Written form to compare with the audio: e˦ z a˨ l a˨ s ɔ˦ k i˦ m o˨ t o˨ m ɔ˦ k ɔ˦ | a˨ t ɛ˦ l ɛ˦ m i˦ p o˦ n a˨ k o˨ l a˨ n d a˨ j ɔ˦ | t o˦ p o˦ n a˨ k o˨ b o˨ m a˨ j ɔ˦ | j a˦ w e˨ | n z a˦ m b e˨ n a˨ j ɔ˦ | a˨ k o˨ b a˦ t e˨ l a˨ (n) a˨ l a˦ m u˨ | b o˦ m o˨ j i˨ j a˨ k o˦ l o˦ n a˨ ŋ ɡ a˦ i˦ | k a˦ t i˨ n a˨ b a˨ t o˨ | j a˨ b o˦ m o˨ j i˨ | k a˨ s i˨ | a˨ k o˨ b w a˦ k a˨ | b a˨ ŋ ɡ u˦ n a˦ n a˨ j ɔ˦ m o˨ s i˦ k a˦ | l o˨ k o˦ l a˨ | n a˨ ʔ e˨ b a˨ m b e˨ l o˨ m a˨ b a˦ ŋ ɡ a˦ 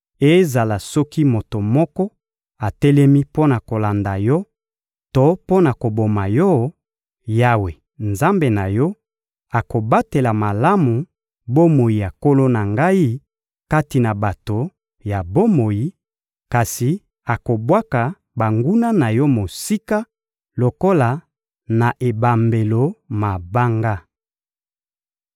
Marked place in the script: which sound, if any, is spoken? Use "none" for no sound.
m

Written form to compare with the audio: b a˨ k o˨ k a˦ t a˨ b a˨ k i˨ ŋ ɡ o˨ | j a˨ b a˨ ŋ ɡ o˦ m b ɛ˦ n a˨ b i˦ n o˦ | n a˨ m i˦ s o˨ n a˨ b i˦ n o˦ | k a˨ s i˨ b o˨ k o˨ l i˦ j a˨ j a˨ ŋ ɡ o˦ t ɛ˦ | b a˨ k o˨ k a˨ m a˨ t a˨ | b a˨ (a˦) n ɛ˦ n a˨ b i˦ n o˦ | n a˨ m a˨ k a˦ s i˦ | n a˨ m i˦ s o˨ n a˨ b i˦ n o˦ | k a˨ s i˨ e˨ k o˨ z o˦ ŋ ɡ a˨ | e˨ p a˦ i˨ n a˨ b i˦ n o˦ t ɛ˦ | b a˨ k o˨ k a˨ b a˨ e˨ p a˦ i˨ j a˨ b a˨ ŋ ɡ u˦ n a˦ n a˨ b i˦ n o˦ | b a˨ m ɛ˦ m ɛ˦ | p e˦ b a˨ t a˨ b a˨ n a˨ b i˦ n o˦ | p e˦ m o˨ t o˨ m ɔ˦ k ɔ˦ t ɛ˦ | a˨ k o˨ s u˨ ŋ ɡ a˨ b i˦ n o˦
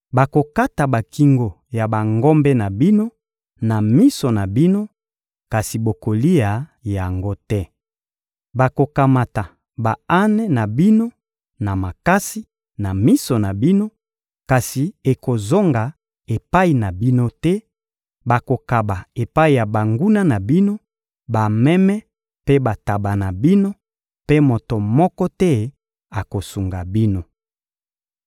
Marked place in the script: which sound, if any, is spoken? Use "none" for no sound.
a˦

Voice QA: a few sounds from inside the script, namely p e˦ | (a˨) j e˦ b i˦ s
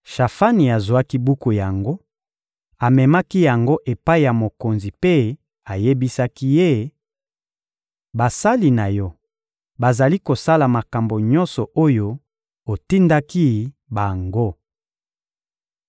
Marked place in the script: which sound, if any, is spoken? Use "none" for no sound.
a˨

